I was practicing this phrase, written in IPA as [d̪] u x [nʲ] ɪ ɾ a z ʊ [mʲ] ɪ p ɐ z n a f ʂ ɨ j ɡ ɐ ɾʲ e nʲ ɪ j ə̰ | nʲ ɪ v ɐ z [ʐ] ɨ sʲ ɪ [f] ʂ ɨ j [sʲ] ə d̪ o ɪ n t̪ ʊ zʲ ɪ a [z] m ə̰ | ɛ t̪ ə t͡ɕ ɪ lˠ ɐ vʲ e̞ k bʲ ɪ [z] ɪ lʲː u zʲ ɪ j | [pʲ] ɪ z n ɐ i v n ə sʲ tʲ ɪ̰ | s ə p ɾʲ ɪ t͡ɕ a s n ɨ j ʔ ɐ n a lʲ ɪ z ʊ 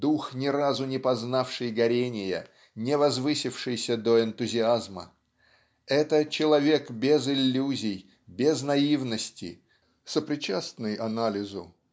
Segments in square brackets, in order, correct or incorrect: correct, correct, incorrect: nʲ, incorrect: v, correct, correct, correct, correct, incorrect: bʲ

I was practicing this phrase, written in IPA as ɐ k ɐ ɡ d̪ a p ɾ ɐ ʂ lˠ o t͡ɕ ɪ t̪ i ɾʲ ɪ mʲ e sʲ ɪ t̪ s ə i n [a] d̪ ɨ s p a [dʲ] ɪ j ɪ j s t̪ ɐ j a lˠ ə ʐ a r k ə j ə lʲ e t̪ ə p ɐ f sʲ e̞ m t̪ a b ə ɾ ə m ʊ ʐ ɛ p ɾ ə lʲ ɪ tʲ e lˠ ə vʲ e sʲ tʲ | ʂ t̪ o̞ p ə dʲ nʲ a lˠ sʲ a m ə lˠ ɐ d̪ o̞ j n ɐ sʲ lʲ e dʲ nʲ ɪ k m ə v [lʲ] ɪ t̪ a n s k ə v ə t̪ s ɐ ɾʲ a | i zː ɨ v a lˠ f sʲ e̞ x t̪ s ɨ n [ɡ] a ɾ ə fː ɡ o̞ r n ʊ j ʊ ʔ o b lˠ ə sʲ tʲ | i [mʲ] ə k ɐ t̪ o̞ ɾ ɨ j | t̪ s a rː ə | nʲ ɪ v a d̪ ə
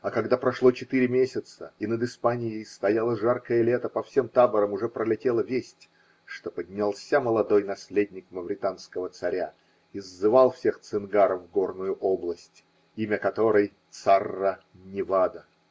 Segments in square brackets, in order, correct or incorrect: incorrect: ə, incorrect: nʲ, incorrect: ɾʲ, correct, correct

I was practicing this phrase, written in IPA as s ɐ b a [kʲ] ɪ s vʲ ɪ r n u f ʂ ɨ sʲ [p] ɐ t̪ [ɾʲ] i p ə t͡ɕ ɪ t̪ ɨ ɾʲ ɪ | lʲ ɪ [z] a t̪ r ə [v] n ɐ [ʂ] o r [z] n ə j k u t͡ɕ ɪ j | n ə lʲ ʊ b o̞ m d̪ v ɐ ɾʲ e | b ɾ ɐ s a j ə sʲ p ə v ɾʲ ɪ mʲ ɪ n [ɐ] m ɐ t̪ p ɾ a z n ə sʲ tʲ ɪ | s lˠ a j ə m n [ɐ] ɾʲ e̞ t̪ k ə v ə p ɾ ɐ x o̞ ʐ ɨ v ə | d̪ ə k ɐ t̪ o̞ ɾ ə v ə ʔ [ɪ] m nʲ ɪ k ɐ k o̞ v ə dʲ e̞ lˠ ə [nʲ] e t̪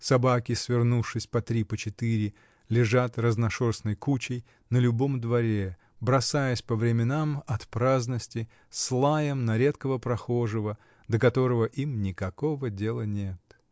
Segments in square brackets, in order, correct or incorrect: correct, correct, correct, incorrect: ʐ, incorrect: z, correct, incorrect: s, incorrect: a, correct, incorrect: i, correct

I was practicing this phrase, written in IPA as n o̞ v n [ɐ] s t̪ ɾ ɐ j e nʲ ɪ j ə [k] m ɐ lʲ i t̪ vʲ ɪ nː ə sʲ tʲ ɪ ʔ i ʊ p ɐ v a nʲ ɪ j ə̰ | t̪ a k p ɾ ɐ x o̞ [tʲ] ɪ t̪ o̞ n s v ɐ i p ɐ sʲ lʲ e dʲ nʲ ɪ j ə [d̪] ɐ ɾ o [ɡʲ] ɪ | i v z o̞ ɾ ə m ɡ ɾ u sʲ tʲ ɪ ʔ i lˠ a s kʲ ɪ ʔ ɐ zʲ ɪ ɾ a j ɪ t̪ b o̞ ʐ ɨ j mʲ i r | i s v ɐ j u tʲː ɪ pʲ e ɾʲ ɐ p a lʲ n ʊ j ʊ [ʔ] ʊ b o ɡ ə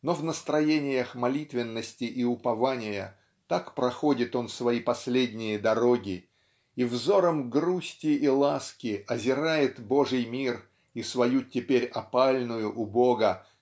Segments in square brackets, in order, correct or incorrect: incorrect: ə, incorrect: x, incorrect: dʲ, correct, correct, correct

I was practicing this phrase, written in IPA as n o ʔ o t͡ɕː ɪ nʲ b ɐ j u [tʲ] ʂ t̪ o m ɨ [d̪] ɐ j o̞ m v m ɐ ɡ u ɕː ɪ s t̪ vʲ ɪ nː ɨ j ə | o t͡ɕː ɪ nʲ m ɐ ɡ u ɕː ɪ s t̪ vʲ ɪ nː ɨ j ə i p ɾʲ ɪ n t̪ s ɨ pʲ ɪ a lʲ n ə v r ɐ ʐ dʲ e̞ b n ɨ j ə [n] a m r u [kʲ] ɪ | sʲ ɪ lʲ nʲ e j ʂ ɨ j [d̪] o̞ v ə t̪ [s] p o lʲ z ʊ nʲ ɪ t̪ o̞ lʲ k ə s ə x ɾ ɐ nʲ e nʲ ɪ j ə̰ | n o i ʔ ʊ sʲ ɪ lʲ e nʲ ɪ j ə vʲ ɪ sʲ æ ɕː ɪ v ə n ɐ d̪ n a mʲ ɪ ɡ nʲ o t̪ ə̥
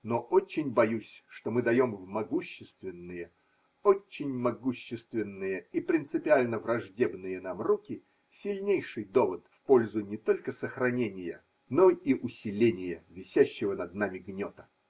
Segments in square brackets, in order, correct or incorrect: incorrect: sʲ, correct, correct, correct, correct, incorrect: f

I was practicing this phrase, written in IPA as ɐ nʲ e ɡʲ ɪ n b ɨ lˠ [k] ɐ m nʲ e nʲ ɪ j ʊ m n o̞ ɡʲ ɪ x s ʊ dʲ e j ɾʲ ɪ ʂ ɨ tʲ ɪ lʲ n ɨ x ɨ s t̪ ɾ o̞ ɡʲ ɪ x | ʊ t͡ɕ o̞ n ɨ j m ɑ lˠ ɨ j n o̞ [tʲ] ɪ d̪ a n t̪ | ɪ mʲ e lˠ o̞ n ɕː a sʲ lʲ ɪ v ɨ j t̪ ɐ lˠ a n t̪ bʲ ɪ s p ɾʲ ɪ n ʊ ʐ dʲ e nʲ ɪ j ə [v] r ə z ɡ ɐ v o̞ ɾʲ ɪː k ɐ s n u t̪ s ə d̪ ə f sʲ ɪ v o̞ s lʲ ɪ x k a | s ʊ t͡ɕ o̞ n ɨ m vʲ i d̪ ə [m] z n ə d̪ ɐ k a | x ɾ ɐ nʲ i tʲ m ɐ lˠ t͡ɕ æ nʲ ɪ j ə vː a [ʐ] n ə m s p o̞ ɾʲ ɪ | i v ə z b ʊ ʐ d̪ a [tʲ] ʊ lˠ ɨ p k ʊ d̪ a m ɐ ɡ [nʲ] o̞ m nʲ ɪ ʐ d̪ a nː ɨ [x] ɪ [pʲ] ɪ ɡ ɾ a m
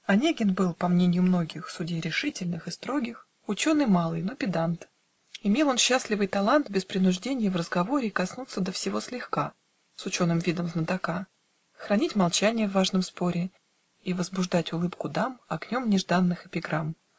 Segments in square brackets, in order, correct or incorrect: incorrect: p, incorrect: pʲ, correct, correct, correct, correct, correct, correct, correct

